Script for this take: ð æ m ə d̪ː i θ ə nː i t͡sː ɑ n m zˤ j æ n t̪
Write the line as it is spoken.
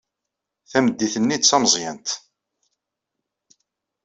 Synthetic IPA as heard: θ æ m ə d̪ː i θ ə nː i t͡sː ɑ m zˤ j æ n t̪